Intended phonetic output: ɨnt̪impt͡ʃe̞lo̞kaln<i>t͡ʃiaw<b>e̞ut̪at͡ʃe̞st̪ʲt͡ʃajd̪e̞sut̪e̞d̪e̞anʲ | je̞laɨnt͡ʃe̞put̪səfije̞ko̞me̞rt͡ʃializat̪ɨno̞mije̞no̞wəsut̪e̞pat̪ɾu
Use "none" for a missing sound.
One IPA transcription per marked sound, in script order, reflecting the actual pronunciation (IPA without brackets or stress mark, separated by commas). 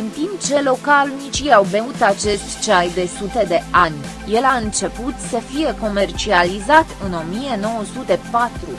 i, b